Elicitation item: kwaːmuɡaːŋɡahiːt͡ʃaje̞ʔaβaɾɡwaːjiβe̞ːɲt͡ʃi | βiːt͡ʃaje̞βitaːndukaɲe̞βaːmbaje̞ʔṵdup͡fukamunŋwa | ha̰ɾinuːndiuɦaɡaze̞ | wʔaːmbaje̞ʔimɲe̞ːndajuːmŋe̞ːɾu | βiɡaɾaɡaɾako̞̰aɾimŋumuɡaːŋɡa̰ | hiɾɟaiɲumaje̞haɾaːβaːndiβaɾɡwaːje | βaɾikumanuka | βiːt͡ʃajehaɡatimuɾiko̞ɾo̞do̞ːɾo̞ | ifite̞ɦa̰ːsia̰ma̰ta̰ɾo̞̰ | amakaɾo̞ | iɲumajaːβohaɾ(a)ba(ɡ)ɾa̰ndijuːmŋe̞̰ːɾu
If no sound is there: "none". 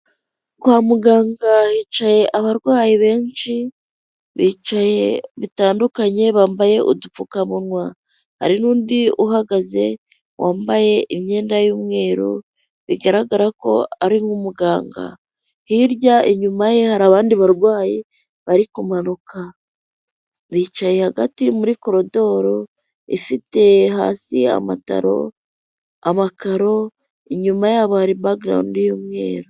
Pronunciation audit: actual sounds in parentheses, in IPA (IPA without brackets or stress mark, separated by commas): i, ɡ